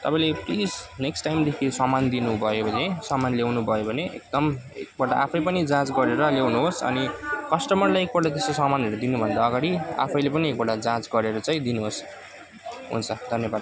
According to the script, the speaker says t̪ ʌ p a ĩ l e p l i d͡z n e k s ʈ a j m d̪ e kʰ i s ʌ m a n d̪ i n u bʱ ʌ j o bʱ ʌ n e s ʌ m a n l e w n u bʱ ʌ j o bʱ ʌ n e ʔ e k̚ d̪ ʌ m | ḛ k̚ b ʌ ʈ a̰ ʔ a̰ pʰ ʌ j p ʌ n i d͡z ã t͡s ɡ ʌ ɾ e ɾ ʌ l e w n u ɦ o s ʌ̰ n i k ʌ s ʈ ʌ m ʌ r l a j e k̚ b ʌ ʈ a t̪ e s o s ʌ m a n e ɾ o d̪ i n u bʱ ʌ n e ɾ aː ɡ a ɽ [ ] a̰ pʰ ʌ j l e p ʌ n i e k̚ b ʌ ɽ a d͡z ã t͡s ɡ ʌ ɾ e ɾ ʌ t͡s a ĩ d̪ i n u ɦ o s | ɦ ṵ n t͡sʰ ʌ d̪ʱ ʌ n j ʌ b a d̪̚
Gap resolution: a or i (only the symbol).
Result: i